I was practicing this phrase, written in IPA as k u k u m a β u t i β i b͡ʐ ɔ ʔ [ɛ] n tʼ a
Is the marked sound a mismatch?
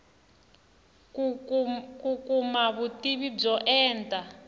yes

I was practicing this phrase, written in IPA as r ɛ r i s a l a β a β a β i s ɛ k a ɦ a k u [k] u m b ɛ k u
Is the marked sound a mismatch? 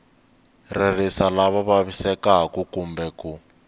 no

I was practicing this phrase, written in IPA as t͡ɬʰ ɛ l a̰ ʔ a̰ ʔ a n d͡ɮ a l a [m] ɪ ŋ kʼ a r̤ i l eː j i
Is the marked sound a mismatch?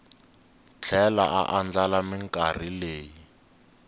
no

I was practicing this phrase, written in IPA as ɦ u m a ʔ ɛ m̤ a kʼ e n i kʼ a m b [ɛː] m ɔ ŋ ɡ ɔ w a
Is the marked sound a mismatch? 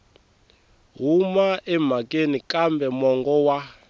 yes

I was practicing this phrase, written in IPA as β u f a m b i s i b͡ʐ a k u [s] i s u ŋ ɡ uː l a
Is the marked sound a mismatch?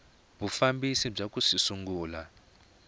no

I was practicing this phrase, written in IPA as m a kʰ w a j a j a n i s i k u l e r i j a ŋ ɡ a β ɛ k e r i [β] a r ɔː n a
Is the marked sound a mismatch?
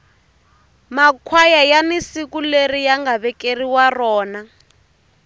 yes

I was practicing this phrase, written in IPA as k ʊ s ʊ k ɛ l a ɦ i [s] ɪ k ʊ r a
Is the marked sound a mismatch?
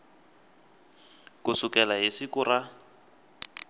no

